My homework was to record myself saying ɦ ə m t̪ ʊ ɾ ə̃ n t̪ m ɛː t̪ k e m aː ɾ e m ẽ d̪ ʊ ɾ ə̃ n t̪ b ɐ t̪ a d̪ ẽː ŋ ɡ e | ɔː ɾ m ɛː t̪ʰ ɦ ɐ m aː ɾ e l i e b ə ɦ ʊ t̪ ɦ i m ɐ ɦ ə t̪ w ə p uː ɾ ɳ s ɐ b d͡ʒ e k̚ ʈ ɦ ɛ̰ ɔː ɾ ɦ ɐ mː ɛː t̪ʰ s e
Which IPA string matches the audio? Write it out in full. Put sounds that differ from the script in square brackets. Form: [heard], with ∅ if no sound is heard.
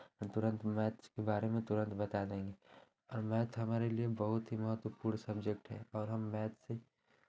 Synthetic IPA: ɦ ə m t̪ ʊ ɾ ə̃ n t̪ m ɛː t̪ k e [b] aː ɾ e m ẽ [t̪] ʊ ɾ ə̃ n t̪ b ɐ t̪ a d̪ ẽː ŋ ɡ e | ɔː ɾ m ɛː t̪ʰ ɦ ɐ m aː ɾ e l i e b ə ɦ ʊ t̪ ɦ i m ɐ ɦ ə t̪ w ə p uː ɾ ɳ s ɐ b d͡ʒ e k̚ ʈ ɦ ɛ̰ ɔː ɾ ɦ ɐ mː ɛː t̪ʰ s e